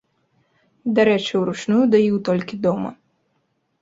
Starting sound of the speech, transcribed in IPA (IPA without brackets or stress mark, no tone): d̪